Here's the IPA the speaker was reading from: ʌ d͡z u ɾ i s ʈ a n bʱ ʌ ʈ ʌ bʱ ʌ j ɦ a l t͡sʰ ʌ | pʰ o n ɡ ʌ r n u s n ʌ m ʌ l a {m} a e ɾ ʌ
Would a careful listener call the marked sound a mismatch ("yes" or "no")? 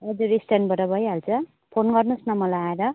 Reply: yes